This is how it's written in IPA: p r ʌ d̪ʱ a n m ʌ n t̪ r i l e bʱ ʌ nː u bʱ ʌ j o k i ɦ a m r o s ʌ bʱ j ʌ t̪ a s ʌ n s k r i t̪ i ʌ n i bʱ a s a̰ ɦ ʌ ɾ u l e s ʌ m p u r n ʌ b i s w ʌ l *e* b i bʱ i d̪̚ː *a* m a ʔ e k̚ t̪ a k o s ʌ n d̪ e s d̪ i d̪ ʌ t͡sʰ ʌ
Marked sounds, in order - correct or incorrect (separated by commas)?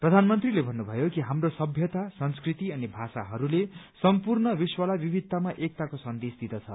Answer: incorrect, correct